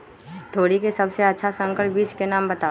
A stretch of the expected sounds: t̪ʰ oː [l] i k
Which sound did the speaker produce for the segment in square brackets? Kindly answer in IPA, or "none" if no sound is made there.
ɽ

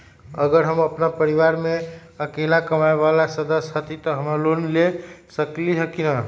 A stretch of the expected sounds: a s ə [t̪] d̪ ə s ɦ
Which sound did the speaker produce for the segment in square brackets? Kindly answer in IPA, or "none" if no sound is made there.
none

